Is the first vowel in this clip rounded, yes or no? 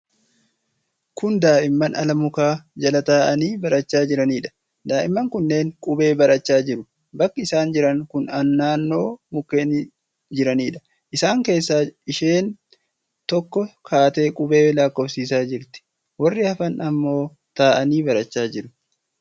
yes